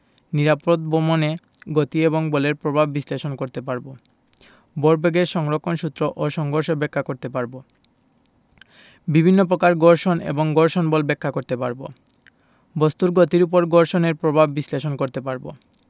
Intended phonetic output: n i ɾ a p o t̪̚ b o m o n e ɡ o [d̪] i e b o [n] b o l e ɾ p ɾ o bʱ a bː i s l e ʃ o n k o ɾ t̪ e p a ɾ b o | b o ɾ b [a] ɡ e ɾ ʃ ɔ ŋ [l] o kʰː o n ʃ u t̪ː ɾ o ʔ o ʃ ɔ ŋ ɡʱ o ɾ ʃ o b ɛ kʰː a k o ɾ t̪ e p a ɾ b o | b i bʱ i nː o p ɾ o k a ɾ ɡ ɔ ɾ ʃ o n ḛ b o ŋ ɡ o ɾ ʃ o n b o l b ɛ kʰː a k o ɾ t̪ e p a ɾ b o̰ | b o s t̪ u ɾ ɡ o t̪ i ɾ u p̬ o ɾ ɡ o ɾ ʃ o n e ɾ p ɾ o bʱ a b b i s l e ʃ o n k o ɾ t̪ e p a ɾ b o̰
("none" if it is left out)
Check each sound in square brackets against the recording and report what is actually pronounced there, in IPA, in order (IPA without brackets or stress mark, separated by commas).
t̪, ŋ, e, ɾ